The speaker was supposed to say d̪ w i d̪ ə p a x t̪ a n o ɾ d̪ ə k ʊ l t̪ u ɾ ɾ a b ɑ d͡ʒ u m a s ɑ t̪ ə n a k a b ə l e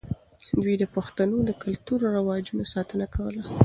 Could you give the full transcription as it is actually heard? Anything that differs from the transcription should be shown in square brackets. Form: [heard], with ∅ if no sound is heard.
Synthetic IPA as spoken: d̪ w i d̪ ə p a x t̪ a n o [∅] d̪ ə k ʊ l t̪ u ɾ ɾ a [w] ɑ d͡ʒ u [n] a s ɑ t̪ ə n a k a [w] ə l [a]

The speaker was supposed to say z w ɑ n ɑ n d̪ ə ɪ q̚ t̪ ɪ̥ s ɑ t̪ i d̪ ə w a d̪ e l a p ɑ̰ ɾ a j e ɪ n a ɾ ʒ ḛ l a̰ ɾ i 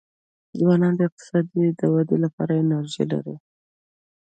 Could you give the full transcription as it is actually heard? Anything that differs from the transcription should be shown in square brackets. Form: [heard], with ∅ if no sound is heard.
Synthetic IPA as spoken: z w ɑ n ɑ n d̪ ə ɪ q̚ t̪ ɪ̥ s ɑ [d̪] i d̪ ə w a d̪ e l a p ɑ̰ ɾ a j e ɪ n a ɾ ʒ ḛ l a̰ ɾ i

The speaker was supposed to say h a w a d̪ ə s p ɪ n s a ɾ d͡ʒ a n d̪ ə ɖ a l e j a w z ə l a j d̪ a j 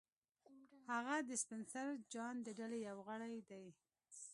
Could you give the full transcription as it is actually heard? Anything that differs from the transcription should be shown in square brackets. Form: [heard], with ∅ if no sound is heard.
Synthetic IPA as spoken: h a [ɣ] a d̪ ə s p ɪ n s a ɾ d͡ʒ [ɑ] n d̪ ə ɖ a l e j a w [ɣ] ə [ɽ] a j d̪ a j

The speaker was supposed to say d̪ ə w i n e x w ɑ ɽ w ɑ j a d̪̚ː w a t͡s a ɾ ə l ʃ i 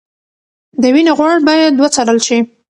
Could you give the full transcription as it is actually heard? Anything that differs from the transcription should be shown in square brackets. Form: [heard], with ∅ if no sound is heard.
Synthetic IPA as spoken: d̪ ə w i n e [ɣ] w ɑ ɽ [b] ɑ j a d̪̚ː w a t͡s a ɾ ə l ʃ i

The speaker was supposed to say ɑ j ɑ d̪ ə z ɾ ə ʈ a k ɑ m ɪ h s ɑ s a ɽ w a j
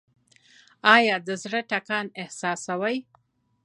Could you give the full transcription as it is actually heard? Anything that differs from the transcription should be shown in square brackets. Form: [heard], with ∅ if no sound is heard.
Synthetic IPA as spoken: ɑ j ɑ d̪ ə z [ɽ] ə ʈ a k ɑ [n] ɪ h s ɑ s a [∅] w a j

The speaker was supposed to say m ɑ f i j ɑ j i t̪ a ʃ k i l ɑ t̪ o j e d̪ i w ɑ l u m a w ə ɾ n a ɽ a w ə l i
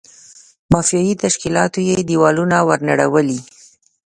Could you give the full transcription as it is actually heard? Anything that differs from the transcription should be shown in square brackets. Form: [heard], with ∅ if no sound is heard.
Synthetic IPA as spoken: m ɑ f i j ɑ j i t̪ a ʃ k i l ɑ t̪ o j e d̪ i w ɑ l u [n] a w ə ɾ n a ɽ a w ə l i

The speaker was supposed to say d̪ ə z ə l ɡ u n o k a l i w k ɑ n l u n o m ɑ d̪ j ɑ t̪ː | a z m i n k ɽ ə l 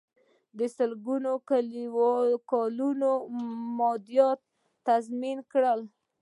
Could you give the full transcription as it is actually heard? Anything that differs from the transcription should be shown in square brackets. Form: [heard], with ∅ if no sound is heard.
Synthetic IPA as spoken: d̪ ə [s] ə l ɡ u n o k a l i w k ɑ [∅] l u n o m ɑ d̪ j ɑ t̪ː | a z m i n k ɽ ə l

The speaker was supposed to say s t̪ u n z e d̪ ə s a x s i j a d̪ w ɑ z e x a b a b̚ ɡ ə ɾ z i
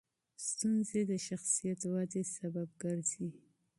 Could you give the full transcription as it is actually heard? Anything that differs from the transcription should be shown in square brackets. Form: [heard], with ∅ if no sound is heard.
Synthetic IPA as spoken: s t̪ u n z e d̪ ə [ʃ] a x s i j a [t̪] w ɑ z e [s] a b a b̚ ɡ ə ɾ z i

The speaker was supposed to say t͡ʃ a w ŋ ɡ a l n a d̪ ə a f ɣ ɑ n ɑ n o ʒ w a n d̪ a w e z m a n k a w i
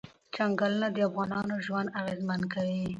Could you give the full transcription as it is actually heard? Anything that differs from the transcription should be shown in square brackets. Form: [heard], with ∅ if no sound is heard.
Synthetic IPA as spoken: t͡ʃ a [∅] ŋ ɡ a l n a d̪ ə a f ɣ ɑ n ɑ n o ʒ w a n d̪ a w e z m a n k a w i

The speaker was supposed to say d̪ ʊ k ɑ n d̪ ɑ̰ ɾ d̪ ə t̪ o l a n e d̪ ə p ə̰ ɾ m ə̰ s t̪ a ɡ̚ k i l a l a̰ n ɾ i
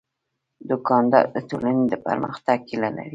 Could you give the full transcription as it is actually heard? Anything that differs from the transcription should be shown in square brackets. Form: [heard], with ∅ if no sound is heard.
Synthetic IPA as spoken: d̪ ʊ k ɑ n d̪ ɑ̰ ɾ d̪ ə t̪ o l a n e d̪ ə p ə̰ ɾ m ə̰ [x] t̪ a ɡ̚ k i l a l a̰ [∅] ɾ i

